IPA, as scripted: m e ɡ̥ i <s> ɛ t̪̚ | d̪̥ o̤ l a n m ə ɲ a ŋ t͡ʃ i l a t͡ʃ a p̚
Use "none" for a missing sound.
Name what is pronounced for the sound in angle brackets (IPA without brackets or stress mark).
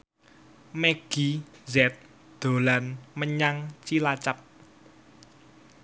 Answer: z